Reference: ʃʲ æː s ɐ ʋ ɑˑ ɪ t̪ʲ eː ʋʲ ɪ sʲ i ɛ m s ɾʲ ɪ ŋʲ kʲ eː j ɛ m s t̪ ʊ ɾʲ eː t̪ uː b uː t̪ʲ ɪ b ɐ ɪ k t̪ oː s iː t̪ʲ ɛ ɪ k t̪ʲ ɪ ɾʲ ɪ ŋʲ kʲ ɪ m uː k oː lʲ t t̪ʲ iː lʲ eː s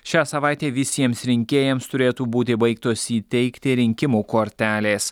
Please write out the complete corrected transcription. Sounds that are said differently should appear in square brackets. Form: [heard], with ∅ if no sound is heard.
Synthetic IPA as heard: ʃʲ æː s ɐ ʋ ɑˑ ɪ t̪ʲ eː ʋʲ ɪ sʲ i ɛ m s ɾʲ ɪ ŋʲ kʲ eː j ɛ m s t̪ ʊ ɾʲ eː t̪ uː b uː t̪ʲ ɪ b ɐ ɪ k t̪ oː s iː t̪ʲ ɛ ɪ k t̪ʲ ɪ ɾʲ ɪ ŋʲ kʲ ɪ m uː k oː [ɾʲ] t t̪ʲ [æː] lʲ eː s

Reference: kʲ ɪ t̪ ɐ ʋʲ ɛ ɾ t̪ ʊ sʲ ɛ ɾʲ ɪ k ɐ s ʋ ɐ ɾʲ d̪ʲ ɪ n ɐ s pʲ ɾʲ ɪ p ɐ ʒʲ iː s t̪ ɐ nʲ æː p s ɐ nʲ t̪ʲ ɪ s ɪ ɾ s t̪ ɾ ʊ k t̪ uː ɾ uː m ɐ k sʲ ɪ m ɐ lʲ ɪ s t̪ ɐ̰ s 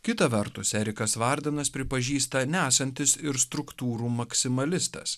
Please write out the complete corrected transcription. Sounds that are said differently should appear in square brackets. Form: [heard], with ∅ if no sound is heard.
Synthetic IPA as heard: kʲ ɪ t̪ ɐ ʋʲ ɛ ɾ t̪ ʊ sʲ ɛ ɾʲ ɪ k ɐ s ʋ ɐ ɾʲ d̪ʲ ɪ n ɐ s pʲ ɾʲ ɪ p ɐ ʒʲ iː s t̪ ɐ nʲ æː [∅] s ɐ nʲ t̪ʲ ɪ s ɪ ɾ s t̪ ɾ ʊ k t̪ uː ɾ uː m ɐ k sʲ ɪ m ɐ lʲ ɪ s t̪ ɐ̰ s

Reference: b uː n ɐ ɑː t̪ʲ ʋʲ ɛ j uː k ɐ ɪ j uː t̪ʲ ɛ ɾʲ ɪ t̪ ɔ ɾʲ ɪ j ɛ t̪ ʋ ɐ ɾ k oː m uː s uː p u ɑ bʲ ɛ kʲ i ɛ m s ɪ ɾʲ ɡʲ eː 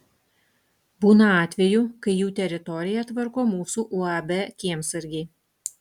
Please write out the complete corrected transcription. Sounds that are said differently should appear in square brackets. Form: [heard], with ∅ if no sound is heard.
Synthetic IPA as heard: b uː n ɐ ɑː t̪ʲ ʋʲ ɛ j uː k ɐ ɪ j uː t̪ʲ ɛ ɾʲ ɪ t̪ ɔ ɾʲ ɪ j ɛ t̪ ʋ ɐ ɾ k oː m uː s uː [ʔ] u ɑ bʲ ɛ kʲ i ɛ m s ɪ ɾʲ ɡʲ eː

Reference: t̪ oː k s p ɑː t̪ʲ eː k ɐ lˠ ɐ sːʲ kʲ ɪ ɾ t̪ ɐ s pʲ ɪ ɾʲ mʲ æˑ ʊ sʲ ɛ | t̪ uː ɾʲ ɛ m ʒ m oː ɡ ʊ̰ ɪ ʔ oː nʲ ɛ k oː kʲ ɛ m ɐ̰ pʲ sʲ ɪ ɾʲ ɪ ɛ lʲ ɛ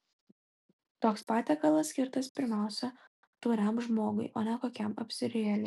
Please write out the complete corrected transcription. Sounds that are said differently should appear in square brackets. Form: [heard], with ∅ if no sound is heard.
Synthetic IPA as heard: t̪ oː k s p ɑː t̪ʲ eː k ɐ lˠ ɐ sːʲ kʲ ɪ ɾ t̪ ɐ s pʲ ɪ ɾʲ mʲ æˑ ʊ sʲ ɛ | t̪ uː ɾʲ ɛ m ʒ m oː ɡ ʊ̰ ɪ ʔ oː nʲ ɛ k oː kʲ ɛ m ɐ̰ pʲ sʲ ɪ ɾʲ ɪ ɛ lʲ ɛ

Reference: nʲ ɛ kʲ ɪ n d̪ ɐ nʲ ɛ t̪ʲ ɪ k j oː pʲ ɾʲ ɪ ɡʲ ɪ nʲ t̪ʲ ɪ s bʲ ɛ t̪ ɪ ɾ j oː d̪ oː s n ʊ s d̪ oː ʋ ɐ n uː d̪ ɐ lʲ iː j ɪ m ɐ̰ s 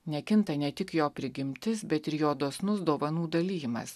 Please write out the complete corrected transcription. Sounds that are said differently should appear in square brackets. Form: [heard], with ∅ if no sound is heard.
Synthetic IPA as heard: nʲ ɛ kʲ ɪ n [t̪] ɐ nʲ ɛ t̪ʲ ɪ k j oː pʲ ɾʲ ɪ ɡʲ ɪ [mʲ] t̪ʲ ɪ s bʲ ɛ t̪ ɪ ɾ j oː d̪ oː s n ʊ s d̪ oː ʋ ɐ n uː d̪ ɐ lʲ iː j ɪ m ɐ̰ s

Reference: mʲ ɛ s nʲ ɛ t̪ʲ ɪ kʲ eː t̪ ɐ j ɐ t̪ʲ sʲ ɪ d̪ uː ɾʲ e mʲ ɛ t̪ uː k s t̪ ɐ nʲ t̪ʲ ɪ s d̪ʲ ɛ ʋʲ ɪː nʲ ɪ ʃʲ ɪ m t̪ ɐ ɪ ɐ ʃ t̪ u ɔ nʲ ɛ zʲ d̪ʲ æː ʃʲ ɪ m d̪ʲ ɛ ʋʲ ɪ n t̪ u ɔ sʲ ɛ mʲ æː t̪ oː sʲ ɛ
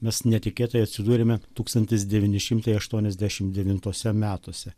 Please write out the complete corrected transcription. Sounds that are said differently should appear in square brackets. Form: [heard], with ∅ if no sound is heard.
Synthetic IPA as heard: mʲ ɛ s nʲ ɛ t̪ʲ ɪ kʲ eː t̪ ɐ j ɐ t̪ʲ sʲ ɪ d̪ uː ɾʲ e mʲ ɛ t̪ uː k s t̪ ɐ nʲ t̪ʲ ɪ s d̪ʲ ɛ ʋʲ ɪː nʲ ɪ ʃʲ ɪ m t̪ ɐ ɪ ɐ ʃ t̪ u ɔ nʲ ɛ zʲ d̪ʲ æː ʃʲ ɪ m d̪ʲ ɛ ʋʲ ɪ n t̪ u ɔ sʲ ɛ mʲ æː t̪ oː sʲ ɛ

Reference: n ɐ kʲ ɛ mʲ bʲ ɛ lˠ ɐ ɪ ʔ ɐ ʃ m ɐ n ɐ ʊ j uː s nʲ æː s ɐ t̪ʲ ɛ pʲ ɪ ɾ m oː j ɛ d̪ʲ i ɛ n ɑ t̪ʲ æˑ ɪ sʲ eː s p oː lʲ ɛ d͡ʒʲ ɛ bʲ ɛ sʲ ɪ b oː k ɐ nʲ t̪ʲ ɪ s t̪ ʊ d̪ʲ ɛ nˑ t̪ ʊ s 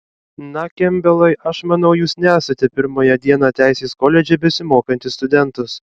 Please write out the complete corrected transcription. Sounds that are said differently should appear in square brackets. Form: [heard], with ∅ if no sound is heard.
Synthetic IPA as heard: n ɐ kʲ ɛ mʲ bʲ ɛ lˠ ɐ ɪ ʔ ɐ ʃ m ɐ n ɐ ʊ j uː s nʲ æː s ɐ t̪ʲ ɛ pʲ ɪ ɾ m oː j ɛ d̪ʲ i ɛ n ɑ t̪ʲ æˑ ɪ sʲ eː s [k] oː lʲ ɛ d͡ʒʲ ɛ bʲ ɛ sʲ ɪ [m] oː k ɐ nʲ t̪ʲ ɪ s t̪ ʊ d̪ʲ ɛ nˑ t̪ ʊ s

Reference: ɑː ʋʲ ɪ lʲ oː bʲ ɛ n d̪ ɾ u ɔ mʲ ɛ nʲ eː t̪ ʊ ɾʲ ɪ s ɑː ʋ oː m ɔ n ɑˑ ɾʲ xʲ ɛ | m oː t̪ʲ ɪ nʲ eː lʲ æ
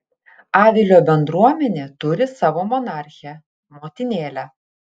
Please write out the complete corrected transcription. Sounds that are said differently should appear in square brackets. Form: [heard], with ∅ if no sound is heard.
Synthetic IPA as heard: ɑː ʋʲ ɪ lʲ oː bʲ ɛ n d̪ ɾ u ɔ mʲ ɛ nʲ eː t̪ ʊ ɾʲ ɪ s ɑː ʋ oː m ɔ n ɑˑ ɾʲ xʲ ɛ | m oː t̪ʲ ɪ nʲ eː lʲ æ

